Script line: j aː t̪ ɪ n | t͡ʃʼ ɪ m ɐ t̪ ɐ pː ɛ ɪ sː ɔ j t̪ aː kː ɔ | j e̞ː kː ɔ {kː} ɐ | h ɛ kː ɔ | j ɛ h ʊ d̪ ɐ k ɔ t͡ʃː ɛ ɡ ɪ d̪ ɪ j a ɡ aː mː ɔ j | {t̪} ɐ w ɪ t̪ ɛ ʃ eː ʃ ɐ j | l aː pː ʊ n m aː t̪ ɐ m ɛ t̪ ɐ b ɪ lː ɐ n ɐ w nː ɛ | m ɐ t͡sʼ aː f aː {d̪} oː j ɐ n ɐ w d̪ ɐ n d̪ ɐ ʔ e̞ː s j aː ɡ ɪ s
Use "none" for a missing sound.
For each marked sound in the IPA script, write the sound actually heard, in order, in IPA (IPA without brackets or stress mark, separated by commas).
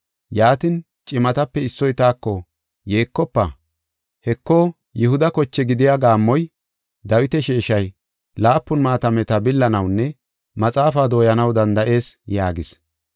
pː, d̪, d̪